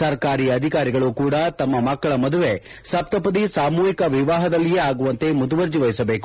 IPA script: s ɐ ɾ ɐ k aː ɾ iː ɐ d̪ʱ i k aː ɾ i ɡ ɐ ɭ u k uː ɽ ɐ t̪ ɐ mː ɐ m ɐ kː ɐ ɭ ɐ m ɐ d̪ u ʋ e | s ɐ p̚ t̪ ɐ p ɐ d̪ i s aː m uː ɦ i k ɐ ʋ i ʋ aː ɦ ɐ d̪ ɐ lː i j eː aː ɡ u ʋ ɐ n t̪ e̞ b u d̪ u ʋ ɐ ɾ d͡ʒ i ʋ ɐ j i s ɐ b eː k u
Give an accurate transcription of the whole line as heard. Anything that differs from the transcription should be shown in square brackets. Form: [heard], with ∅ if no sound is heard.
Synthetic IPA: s ɐ ɾ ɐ k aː ɾ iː ɐ d̪ʱ i k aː ɾ i ɡ ɐ ɭ u k uː ɽ ɐ t̪ ɐ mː ɐ m ɐ kː ɐ ɭ ɐ m ɐ d̪ u ʋ e | s ɐ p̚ t̪ ɐ p ɐ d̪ i s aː m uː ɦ i k ɐ ʋ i ʋ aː ɦ ɐ d̪ ɐ lː i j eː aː ɡ u ʋ ɐ n t̪ e̞ [m] u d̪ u ʋ ɐ ɾ d͡ʒ i ʋ ɐ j i s ɐ b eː k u